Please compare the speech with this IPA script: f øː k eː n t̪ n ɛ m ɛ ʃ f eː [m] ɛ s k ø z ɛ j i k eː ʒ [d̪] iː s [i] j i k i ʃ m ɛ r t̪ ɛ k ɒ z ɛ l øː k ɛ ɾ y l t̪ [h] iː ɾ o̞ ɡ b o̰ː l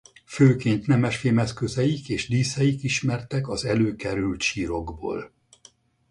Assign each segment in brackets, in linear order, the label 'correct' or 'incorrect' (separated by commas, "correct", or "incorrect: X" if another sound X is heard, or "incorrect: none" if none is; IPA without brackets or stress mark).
correct, correct, incorrect: ɛ, incorrect: ʃ